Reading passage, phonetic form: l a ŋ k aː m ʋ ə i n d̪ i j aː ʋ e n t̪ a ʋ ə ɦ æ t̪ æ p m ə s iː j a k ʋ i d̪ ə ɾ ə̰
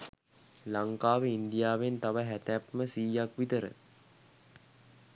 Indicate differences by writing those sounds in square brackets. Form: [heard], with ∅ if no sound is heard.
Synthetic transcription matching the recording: l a ŋ k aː [∅] ʋ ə i n d̪ i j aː ʋ e n t̪ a ʋ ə ɦ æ t̪ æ p m ə s iː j a k ʋ i [t̪] ə ɾ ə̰